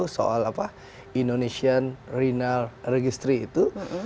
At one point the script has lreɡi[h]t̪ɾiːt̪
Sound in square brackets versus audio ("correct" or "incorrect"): incorrect